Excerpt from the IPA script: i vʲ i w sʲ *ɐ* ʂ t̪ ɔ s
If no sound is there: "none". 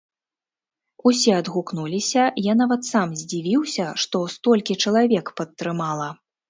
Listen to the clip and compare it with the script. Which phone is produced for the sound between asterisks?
ɐ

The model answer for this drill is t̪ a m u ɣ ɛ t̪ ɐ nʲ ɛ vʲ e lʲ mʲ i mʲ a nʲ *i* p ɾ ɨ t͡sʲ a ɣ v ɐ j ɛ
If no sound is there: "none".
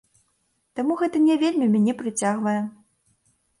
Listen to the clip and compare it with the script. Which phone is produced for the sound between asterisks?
ɛ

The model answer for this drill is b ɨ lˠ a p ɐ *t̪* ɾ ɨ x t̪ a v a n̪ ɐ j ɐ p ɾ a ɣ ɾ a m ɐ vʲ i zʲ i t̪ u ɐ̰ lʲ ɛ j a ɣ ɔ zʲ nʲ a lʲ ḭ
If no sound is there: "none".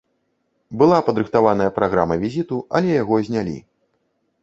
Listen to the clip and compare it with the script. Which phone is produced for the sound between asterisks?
d̪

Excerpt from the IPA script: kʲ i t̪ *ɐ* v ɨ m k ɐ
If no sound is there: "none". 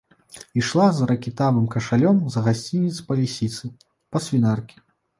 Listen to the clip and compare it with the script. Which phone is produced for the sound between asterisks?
a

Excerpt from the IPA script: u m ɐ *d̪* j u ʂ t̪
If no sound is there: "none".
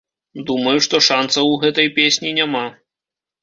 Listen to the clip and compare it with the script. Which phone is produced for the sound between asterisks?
none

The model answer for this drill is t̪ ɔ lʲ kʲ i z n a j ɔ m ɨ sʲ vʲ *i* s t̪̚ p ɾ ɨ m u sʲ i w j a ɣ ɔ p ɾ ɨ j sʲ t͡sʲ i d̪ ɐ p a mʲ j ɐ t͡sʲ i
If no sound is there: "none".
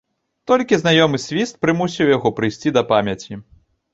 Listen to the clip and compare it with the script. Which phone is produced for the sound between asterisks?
i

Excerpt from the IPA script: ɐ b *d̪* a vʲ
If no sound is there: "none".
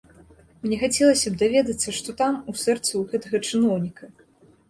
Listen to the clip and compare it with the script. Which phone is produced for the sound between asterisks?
d̪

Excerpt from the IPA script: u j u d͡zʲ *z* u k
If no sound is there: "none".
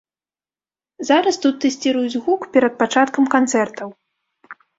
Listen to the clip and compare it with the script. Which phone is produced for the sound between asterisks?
ɣ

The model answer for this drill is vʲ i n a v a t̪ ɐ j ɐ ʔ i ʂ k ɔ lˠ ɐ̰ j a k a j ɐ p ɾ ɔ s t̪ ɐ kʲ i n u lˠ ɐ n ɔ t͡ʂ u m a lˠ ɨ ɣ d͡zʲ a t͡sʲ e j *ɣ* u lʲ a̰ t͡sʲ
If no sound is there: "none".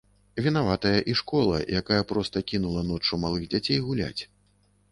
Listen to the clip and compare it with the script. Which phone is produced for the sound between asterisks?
ɣ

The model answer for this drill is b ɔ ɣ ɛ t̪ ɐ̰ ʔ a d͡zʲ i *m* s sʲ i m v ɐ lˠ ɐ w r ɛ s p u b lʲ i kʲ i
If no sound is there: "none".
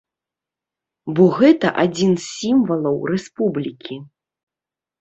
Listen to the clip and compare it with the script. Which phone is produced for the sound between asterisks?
n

